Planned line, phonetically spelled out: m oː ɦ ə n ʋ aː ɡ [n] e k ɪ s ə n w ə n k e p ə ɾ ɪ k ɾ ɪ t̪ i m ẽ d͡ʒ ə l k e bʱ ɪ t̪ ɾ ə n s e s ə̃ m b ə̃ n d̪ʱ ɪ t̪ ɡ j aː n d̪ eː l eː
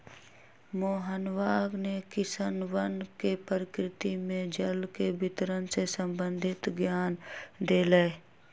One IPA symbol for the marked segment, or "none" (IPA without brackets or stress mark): n